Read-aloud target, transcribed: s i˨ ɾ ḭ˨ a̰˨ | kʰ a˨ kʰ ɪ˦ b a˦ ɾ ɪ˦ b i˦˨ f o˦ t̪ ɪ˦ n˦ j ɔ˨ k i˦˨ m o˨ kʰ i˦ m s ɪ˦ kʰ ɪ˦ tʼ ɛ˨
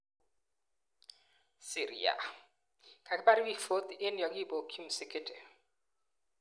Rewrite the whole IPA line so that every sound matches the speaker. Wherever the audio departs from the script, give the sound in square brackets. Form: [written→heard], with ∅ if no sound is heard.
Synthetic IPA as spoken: s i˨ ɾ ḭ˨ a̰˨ | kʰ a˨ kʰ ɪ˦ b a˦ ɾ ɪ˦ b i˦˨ f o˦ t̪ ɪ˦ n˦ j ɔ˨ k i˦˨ [m→b] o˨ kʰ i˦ m s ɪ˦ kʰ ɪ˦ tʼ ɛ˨